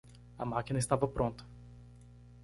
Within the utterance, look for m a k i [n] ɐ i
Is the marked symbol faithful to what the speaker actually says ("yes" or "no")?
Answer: yes